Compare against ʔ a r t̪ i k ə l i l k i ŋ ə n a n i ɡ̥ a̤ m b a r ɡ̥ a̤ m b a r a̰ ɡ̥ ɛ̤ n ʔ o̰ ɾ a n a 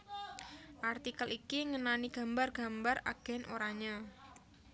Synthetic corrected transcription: ʔ a r t̪ i k ə l i k i ŋ ə n a n i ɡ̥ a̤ m b a r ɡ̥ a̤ m b a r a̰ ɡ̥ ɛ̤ n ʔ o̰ ɾ a ɲ a